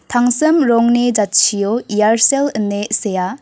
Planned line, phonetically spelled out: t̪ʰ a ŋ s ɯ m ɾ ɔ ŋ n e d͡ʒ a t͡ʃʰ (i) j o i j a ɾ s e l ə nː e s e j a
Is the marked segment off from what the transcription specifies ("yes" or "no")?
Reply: no